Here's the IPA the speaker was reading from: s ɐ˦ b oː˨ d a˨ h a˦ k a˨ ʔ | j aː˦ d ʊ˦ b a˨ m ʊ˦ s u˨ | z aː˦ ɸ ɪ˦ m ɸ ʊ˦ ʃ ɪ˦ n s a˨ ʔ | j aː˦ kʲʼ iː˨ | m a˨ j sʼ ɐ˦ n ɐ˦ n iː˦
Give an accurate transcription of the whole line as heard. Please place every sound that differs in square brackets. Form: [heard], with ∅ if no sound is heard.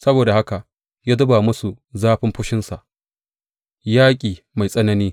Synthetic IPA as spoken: s ɐ˦ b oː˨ d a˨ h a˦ k a˨ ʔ | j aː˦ d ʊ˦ b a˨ m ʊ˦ s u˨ | z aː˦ ɸ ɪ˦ m ɸ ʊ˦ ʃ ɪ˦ n s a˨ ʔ | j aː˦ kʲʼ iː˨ | m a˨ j sʼ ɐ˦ n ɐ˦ n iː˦